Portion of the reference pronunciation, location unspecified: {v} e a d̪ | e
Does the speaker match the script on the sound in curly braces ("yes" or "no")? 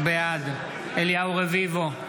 no